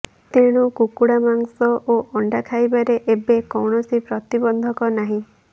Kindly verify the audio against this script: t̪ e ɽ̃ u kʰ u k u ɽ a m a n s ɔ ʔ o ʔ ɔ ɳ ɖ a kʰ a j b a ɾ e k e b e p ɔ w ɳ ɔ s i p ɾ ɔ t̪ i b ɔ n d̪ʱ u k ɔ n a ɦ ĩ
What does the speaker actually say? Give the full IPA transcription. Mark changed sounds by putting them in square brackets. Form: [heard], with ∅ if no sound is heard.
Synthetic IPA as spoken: t̪ e ɽ̃ u [k] u k u ɽ a m a [ŋ] s ɔ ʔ o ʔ ɔ ɳ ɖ a kʰ a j b a ɾ e [ʔ] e b e [k] ɔ w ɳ ɔ s i p ɾ ɔ t̪ i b ɔ n d̪ʱ [ɔ] k ɔ n a ɦ ĩ

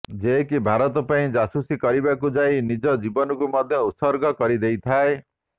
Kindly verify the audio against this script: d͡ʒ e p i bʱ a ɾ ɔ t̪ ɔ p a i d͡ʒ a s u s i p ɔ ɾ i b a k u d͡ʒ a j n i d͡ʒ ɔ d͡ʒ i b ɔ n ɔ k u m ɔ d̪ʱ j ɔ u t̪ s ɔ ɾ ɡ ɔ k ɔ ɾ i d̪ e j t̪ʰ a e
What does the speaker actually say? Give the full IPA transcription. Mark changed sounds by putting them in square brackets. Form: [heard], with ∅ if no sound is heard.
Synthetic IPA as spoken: d͡ʒ e [k] i bʱ a ɾ ɔ t̪ ɔ p a [ĩ] d͡ʒ a s u s i [k] ɔ ɾ i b a k u d͡ʒ a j n i d͡ʒ ɔ d͡ʒ i b ɔ n ɔ k u m ɔ d̪ʱ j ɔ u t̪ s ɔ ɾ ɡ ɔ k ɔ ɾ i d̪ e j t̪ʰ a e

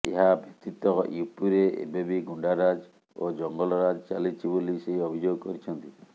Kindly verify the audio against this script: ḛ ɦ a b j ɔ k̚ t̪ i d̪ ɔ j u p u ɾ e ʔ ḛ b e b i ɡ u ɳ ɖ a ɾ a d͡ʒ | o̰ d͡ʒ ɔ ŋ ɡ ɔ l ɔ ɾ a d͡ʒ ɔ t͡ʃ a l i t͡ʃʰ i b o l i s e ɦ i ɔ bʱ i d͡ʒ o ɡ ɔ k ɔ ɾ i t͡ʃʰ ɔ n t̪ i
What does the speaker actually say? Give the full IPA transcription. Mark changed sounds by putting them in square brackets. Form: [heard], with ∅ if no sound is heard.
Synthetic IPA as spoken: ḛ ɦ a b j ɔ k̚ t̪ i [t̪] ɔ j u p u ɾ e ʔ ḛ b e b i ɡ u ɳ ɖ a ɾ a d͡ʒ | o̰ d͡ʒ ɔ ŋ ɡ ɔ l ɔ ɾ a d͡ʒ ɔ t͡ʃ a l i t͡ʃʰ i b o l i s e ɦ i ɔ bʱ i d͡ʒ o ɡ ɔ k ɔ ɾ i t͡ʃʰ ɔ n t̪ i

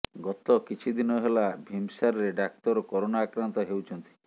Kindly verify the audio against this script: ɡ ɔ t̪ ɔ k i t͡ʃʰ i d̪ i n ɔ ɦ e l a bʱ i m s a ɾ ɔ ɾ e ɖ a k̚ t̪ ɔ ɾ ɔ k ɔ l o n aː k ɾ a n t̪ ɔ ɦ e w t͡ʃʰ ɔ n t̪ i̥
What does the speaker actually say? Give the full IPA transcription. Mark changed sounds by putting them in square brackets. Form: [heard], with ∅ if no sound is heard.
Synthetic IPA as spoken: ɡ ɔ t̪ ɔ k i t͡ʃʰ i d̪ i n ɔ ɦ e l a bʱ i m s a ɾ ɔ ɾ e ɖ a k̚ t̪ ɔ ɾ ɔ k ɔ [ɾ] o n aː k ɾ a n t̪ ɔ ɦ e w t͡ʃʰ ɔ n t̪ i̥

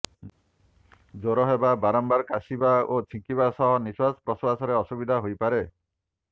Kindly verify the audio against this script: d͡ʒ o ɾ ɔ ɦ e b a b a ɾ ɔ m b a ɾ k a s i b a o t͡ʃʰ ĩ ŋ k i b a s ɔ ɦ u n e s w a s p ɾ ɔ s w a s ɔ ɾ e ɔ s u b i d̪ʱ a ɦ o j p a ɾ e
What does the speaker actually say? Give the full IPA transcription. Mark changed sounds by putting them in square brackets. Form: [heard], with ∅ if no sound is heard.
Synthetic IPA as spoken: d͡ʒ o ɾ ɔ ɦ e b a b a ɾ ɔ m b a ɾ k a s i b a o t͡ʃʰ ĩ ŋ k i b a s ɔ ɦ [ɔ] n [i] s w a s p ɾ ɔ s w a s ɔ ɾ e ɔ s u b i d̪ʱ a ɦ o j p a ɾ e

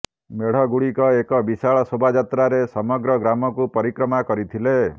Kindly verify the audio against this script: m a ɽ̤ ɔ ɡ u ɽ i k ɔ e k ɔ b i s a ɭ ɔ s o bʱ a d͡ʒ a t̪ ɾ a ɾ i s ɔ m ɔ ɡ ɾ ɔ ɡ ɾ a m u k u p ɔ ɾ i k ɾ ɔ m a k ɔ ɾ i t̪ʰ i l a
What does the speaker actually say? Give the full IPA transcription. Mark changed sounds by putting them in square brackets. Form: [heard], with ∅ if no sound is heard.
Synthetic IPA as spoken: m [e] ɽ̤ ɔ ɡ u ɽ i k ɔ e k ɔ b i s a ɭ ɔ s o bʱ a d͡ʒ a t̪ ɾ a ɾ [e] s ɔ m ɔ ɡ ɾ ɔ ɡ ɾ a m [ɔ] k u p ɔ ɾ i k ɾ ɔ m a k ɔ ɾ i t̪ʰ i l [e]

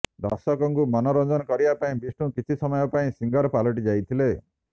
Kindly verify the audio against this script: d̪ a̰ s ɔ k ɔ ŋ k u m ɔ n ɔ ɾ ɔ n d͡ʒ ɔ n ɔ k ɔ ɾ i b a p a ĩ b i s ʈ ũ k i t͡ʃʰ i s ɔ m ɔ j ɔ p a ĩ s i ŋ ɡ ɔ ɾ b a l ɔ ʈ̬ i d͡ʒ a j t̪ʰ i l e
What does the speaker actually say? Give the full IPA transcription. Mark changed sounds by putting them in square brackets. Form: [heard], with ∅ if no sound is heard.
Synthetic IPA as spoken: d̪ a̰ s ɔ k ɔ ŋ k u m ɔ n ɔ ɾ ɔ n d͡ʒ ɔ n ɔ k ɔ ɾ i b a p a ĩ b i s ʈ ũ k i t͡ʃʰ i s ɔ m ɔ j ɔ p a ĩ s i ŋ ɡ ɔ ɾ [p] a l ɔ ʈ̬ i d͡ʒ a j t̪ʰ i l e

